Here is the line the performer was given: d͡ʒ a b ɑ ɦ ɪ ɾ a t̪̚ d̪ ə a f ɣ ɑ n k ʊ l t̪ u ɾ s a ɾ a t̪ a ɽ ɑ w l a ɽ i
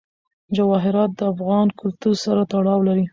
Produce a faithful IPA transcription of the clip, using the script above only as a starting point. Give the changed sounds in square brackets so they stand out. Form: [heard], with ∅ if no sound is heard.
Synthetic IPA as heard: d͡ʒ a [w] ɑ ɦ ɪ ɾ [ɑ] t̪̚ d̪ ə a f ɣ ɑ n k ʊ l t̪ u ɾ s a ɾ a t̪ a ɽ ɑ w l a [ɾ] i